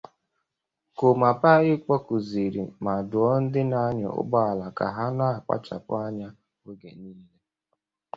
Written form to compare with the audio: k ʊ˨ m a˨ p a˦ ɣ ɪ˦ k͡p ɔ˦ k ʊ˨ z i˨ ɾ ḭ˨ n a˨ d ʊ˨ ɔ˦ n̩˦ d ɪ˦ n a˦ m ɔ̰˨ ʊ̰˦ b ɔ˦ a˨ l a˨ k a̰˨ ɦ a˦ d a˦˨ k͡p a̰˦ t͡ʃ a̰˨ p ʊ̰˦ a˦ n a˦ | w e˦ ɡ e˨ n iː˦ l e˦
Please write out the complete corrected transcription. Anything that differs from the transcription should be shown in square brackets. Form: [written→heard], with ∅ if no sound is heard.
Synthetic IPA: k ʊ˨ m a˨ p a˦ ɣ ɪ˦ k͡p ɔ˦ k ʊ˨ z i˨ ɾ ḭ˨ [n→m] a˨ d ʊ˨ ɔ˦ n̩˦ d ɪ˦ n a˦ [m→ɲ] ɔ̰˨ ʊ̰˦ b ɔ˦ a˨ l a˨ k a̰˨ ɦ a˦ [d→n] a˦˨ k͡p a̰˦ t͡ʃ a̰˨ p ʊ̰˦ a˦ [n→ɲ] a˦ | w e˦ ɡ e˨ n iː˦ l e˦